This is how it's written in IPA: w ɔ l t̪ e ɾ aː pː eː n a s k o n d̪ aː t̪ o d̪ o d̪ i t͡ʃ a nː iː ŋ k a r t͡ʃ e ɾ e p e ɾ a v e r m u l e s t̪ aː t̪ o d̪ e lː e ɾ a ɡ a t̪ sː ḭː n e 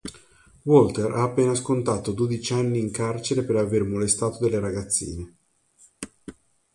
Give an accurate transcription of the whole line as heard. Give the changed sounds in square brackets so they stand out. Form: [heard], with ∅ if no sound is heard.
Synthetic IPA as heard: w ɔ l t̪ e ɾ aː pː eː n a s k o n [t̪] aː t̪ o d̪ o d̪ i t͡ʃ a nː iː ŋ k a r t͡ʃ e ɾ e p e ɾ a v e r m [o] l e s t̪ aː t̪ o d̪ e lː e ɾ a ɡ a t̪ sː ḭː n e